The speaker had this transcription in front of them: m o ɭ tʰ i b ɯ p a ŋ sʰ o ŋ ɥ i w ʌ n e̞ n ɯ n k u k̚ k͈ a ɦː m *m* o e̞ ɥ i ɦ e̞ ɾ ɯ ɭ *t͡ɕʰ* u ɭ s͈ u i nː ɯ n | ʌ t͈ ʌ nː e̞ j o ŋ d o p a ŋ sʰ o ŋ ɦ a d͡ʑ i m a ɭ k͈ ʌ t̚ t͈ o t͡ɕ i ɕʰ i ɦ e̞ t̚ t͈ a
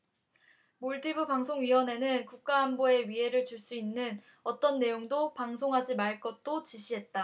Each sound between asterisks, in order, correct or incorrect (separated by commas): incorrect, incorrect